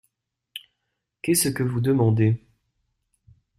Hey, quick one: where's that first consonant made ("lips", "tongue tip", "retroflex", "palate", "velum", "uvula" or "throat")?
velum